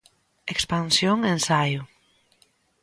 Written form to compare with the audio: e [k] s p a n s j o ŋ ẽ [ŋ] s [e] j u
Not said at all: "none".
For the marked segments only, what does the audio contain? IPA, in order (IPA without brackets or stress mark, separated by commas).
k, n, a